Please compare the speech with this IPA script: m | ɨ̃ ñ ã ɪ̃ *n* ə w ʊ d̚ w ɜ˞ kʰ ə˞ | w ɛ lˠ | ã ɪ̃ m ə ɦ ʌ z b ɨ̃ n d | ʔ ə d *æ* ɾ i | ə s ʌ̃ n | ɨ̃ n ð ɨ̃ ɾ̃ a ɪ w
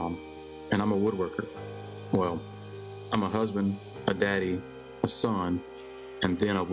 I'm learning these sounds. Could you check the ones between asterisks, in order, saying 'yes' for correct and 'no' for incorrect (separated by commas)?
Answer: no, yes